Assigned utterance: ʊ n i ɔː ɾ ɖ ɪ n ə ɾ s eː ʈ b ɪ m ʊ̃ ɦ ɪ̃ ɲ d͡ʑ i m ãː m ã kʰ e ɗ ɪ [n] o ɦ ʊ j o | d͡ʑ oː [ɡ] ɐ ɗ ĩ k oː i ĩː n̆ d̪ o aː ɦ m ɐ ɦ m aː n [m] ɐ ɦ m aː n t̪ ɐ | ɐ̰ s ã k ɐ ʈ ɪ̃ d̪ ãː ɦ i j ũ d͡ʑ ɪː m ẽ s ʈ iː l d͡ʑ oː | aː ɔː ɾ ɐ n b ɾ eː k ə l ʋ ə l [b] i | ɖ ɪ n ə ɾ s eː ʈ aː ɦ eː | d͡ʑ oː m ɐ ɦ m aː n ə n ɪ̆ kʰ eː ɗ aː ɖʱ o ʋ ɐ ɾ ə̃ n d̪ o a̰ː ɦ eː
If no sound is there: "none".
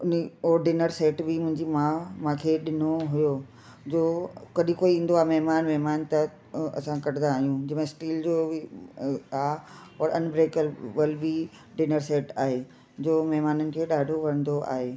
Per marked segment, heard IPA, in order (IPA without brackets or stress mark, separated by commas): n, k, m, b